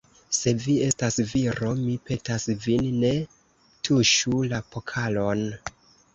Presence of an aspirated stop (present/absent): present